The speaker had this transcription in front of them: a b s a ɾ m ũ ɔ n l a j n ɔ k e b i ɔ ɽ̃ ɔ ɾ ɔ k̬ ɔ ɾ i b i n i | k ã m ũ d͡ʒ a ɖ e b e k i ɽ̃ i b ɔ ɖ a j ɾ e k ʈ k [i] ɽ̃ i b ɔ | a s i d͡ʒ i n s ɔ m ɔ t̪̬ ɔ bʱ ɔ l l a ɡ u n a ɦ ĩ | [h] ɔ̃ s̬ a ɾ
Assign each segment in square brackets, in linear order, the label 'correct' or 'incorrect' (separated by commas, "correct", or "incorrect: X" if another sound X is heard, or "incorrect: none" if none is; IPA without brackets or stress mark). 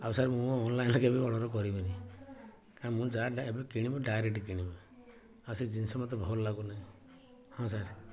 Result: correct, correct